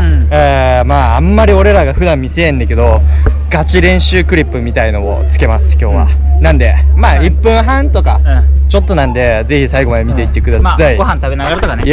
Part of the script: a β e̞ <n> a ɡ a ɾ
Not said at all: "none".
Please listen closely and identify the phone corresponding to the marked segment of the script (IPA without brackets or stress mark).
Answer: n